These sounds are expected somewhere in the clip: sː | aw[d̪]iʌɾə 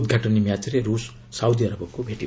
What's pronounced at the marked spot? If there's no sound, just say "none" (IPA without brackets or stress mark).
d̪